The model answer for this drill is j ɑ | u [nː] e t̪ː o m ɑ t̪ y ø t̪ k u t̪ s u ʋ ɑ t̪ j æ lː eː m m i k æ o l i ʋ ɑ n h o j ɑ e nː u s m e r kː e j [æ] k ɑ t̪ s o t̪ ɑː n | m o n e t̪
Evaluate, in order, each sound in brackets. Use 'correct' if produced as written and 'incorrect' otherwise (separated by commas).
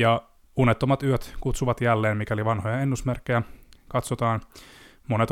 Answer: incorrect, correct